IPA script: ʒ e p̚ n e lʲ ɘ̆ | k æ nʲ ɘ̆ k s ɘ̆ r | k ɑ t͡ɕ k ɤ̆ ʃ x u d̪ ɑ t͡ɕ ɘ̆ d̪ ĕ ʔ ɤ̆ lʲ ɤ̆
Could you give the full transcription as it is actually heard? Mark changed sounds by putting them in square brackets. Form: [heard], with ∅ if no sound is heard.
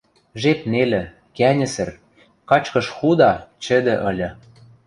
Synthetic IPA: ʒ e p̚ n e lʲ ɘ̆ | k æ nʲ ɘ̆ [∅] s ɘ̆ r | k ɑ t͡ɕ k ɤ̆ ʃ x u d̪ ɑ t͡ɕ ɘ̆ d̪ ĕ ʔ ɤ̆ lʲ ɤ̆